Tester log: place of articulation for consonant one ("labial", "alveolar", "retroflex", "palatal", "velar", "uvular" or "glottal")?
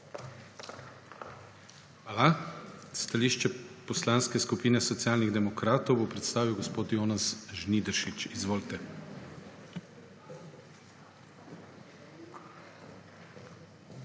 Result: velar